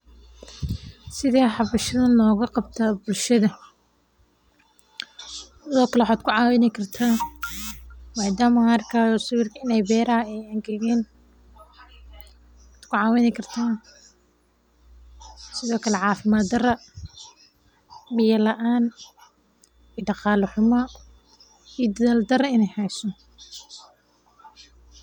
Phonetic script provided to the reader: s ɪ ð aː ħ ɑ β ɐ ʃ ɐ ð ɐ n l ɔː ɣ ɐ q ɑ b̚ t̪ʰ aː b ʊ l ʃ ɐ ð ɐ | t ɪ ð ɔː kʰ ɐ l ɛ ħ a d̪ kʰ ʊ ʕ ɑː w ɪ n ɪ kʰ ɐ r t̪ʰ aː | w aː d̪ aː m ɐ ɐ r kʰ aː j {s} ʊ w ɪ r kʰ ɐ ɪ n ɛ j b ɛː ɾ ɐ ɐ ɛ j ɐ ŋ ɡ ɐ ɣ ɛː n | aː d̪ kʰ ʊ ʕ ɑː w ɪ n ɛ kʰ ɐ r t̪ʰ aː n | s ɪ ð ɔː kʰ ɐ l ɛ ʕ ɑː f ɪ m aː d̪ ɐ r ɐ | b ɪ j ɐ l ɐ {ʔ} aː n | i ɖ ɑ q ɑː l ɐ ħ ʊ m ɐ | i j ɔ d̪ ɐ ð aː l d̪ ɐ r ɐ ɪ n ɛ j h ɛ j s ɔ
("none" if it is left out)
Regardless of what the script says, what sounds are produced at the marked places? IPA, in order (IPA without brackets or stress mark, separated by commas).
s, ʔ